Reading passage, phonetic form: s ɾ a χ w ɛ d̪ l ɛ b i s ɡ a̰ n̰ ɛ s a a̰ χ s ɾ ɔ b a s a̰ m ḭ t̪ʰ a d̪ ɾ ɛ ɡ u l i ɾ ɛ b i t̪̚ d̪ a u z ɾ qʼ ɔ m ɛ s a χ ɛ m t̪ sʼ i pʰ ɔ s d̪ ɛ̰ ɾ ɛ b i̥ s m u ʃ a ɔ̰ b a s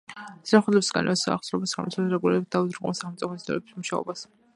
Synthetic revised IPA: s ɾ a χ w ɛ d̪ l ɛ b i s ɡ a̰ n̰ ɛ s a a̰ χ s ɾ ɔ b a s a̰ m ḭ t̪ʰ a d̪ ɾ ɛ ɡ u l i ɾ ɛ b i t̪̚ d̪ a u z ɾ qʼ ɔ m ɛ s a χ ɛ m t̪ sʼ i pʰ ɔ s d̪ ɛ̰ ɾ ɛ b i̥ s m u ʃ a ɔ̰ b a s